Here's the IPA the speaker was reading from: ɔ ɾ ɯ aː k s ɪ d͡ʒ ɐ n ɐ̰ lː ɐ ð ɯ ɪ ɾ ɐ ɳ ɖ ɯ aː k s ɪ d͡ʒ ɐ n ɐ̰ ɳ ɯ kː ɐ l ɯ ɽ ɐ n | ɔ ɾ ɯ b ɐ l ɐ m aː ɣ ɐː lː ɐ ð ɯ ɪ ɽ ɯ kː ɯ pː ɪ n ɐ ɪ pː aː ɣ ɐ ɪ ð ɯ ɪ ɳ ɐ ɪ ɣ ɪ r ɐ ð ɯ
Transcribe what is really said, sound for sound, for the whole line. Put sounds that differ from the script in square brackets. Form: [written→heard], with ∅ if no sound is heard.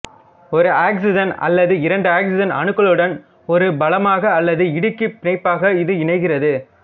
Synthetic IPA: ɔ ɾ ɯ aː k s ɪ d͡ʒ ɐ n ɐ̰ lː ɐ ð ɯ ɪ ɾ ɐ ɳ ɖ ɯ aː k s ɪ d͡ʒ ɐ n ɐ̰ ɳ ɯ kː ɐ [l→ɭ] ɯ ɽ ɐ n | ɔ ɾ ɯ b ɐ l ɐ m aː ɣ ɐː lː ɐ ð ɯ ɪ ɽ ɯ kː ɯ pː ɪ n ɐ ɪ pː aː ɣ ɐ ɪ ð ɯ ɪ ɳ ɐ ɪ ɣ ɪ r ɐ ð ɯ